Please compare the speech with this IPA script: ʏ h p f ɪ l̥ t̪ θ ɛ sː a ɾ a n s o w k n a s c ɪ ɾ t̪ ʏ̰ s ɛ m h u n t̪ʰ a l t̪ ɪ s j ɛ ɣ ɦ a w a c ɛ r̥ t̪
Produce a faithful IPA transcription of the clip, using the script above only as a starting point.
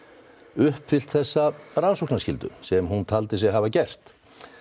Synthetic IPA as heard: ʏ h p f ɪ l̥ t̪ θ ɛ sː a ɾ a n s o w k n a s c ɪ l t̪ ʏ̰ s ɛ m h u n t̪ʰ a l t̪ ɪ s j ɛ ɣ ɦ a v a c ɛ r̥ t̪